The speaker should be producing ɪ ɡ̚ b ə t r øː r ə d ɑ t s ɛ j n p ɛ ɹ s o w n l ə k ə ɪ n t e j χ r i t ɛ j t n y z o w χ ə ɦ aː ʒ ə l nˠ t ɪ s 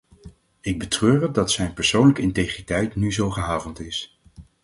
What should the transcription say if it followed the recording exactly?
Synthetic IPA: ɪ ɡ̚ b ə t r øː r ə d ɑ t s ɛ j n p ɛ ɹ s o w n l ə k ə ɪ n t e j χ r i t ɛ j t n y z o w χ ə ɦ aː v ə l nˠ t ɪ s

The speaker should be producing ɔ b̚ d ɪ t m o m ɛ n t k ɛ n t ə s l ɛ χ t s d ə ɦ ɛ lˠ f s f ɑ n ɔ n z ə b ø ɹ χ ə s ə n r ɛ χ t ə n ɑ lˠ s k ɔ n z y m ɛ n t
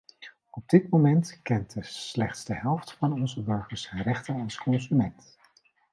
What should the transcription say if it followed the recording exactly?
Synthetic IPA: ɔ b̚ d ɪ t m o m ɛ n t k ɛ n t ə s l ɛ χ t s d ə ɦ ɛ lˠ f t f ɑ n ɔ n z ə b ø ɹ χ ə s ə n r ɛ χ t ə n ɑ lˠ s k ɔ n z y m ɛ n t

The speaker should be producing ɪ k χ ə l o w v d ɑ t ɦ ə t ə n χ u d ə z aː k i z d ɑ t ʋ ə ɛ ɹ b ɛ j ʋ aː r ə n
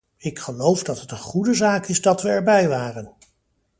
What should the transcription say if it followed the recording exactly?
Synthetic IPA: ɪ k χ ə l o w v d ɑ t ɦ ə t ə n χ u d ə z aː k ɪ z d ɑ t ʋ ə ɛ ɹ b ɛ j ʋ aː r ə n

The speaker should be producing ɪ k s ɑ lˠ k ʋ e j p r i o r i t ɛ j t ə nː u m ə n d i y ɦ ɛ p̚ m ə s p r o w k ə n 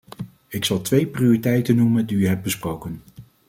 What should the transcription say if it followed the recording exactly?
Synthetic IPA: ɪ k s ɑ lˠ t ʋ e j p r i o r i t ɛ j t ə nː u m ə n d i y ɦ ɛ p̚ b ə s p r o w k ə n

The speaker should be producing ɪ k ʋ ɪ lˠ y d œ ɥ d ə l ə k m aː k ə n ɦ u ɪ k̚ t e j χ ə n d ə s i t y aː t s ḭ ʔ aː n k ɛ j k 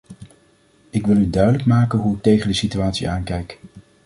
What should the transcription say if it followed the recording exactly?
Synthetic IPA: ɪ k ʋ ɪ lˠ y d œ ɥ d ə l ə k m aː k ə n ɦ u ɪ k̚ t e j χ ə n d ə s i t y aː t s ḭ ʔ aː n k ɛ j k

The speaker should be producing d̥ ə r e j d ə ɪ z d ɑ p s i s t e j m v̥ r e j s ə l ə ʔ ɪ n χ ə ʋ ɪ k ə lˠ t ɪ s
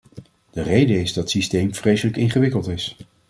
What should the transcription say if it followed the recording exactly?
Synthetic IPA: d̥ ə r e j d ə ɪ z d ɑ t s i s t e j m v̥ r e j s ə l ə k ɪ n χ ə ʋ ɪ k ə lˠ t ɪ s

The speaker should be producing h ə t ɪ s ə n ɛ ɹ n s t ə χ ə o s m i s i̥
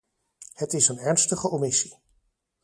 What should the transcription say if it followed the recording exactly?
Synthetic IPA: h ə t ɪ s ə n ɛ ɹ n s t ə χ ə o m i s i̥

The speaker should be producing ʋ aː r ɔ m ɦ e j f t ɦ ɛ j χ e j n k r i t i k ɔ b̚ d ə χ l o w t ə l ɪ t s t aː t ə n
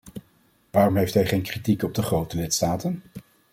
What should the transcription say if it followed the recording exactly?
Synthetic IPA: ʋ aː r ɔ m ɦ e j f t ɦ ɛ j χ e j n k r i t i k ɔ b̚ d ə χ r o w t ə l ɪ t s t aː t ə n

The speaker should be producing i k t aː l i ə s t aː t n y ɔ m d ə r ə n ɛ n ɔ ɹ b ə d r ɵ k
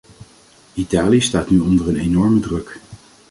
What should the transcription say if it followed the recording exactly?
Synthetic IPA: i t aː l i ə s t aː t n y ɔ n d ə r ə n e n ɔ ɹ m ə d r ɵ k

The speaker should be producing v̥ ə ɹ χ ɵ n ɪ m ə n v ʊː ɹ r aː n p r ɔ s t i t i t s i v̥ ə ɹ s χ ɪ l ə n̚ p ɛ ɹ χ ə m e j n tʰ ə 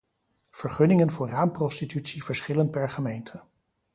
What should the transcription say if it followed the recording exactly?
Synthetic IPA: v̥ ə ɹ χ ɵ n ɪ ŋ ə n v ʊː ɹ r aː m p r ɔ s t i t y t s i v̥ ə ɹ s χ ɪ l ə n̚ p ɛ ɹ χ ə m e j n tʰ ə

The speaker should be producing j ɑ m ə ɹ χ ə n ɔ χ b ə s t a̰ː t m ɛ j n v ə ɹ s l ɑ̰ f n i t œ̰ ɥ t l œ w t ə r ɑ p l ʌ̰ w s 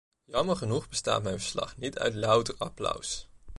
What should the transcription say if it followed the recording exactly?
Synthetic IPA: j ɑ m ə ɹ χ ə n u χ b ə s t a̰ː t m ɛ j n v ə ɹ s l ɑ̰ χ n i t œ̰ ɥ t l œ w t ə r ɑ p l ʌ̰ w s

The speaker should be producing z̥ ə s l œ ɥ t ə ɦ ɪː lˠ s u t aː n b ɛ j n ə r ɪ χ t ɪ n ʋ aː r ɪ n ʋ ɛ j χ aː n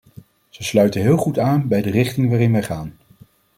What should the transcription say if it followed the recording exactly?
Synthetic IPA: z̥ ə s l œ ɥ t ə ɦ ɪː lˠ χ u t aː n b ɛ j d ə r ɪ χ t ɪ ŋ ʋ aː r ɪ n ʋ ɛ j χ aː n

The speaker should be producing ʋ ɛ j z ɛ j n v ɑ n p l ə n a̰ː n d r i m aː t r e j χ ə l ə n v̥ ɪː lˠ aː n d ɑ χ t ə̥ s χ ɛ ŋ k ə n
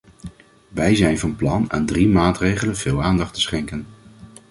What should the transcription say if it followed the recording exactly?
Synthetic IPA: ʋ ɛ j z ɛ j n v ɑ n p l ɑ n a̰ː n d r i m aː t r e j χ ə l ə n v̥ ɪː lˠ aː n d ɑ χ t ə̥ s χ ɛ ŋ k ə n

